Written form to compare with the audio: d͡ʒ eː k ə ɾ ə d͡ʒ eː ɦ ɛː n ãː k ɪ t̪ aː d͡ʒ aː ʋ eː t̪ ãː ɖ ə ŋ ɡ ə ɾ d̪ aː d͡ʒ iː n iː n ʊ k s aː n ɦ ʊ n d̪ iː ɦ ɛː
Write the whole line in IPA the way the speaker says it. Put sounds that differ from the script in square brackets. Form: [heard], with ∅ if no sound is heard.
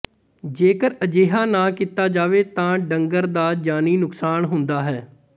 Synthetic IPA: d͡ʒ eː k ə ɾ ə d͡ʒ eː ɦ [aː] n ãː k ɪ t̪ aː d͡ʒ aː ʋ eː t̪ ãː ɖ ə ŋ ɡ ə ɾ d̪ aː d͡ʒ [aː] n iː n ʊ k s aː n ɦ ʊ n d̪ [aː] ɦ ɛː

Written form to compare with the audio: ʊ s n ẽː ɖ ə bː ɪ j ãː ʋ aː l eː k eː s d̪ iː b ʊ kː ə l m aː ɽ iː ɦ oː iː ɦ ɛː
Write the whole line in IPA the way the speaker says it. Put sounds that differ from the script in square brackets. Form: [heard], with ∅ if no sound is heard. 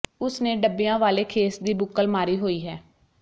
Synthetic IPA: ʊ s n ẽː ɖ ə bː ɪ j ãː ʋ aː l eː [kʰ] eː s d̪ iː b ʊ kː ə l m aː [ɾ] iː ɦ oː iː ɦ ɛː

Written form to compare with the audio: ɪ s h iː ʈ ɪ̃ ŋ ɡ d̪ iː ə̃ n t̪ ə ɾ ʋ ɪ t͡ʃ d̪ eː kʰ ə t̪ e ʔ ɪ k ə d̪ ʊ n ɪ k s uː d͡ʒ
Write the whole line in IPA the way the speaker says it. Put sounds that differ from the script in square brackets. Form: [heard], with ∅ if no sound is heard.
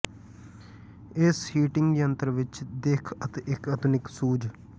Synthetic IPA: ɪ s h iː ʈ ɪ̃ ŋ ɡ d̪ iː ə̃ n t̪ ə ɾ ʋ ɪ t͡ʃ d̪ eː kʰ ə t̪ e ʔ ɪ k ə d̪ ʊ n ɪ k s uː d͡ʒ

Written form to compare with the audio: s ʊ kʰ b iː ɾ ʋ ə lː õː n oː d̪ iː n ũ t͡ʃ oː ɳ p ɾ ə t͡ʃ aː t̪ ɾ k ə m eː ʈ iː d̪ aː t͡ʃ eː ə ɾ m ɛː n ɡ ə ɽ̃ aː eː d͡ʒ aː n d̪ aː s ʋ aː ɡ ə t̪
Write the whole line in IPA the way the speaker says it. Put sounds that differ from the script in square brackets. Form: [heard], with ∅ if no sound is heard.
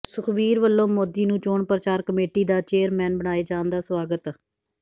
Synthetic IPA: s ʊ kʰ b iː ɾ ʋ ə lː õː [m] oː d̪ iː n [ũː] t͡ʃ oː ɳ p ɾ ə t͡ʃ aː [∅] ɾ k ə m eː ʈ iː d̪ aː t͡ʃ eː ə ɾ m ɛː n [b] ə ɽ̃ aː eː d͡ʒ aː n d̪ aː s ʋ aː ɡ ə t̪

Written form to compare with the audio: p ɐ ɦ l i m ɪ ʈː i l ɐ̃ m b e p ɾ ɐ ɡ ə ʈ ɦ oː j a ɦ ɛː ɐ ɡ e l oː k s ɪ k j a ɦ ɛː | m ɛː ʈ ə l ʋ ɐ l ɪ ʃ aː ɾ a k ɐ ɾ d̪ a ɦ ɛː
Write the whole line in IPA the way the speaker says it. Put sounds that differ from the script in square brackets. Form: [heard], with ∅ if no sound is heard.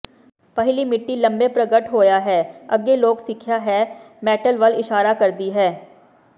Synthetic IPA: p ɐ ɦ l i m ɪ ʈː i l ɐ̃ m b e p ɾ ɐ ɡ ə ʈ ɦ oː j a ɦ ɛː ɐ ɡ e l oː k s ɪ [kʰ] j a ɦ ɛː | m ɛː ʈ ə l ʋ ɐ l ɪ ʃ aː ɾ a k ɐ ɾ d̪ [i] ɦ ɛː

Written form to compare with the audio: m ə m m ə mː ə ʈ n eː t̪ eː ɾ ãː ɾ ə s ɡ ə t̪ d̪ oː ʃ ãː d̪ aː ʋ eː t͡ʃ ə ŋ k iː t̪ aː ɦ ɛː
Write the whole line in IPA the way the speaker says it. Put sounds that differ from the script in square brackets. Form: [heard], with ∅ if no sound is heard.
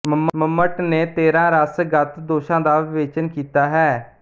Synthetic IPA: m ə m m ə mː ə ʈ n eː t̪ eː ɾ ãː ɾ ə s ɡ ə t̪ d̪ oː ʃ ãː d̪ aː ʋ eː t͡ʃ ə [n] k iː t̪ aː ɦ ɛː

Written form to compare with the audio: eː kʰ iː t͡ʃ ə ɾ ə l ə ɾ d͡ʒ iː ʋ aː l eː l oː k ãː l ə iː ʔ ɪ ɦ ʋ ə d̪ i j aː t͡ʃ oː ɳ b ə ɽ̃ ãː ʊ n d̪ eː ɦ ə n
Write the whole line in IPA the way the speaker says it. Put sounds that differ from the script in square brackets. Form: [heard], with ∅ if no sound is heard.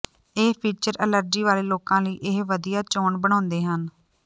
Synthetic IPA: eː [pʰ] iː t͡ʃ ə ɾ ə l ə ɾ d͡ʒ iː ʋ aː l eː l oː k ãː l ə iː ʔ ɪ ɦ ʋ ə d̪ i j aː t͡ʃ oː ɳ b ə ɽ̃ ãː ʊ n d̪ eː ɦ ə n

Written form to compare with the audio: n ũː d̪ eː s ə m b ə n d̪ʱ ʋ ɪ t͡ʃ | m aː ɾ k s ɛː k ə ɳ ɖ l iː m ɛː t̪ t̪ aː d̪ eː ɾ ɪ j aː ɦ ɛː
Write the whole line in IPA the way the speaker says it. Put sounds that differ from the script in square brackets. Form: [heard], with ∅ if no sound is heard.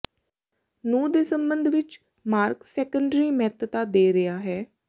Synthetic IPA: n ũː d̪ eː s ə m b ə n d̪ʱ ʋ ɪ t͡ʃ | m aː ɾ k s ɛː k ə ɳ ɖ [ɾ] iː m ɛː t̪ t̪ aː d̪ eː ɾ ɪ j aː ɦ ɛː

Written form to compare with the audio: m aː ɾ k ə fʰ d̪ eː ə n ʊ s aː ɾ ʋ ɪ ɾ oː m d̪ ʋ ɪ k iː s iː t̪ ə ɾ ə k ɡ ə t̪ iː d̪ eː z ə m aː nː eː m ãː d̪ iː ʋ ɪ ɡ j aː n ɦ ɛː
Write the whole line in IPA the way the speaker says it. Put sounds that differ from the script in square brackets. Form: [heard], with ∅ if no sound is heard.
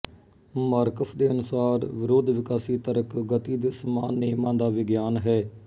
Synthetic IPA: m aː ɾ k ə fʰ d̪ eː ə n ʊ s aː ɾ ʋ ɪ ɾ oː [∅] d̪ ʋ ɪ k [aː] s iː t̪ ə ɾ ə k ɡ ə t̪ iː d̪ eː [s] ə m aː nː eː m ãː d̪ [aː] ʋ ɪ ɡ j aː n ɦ ɛː

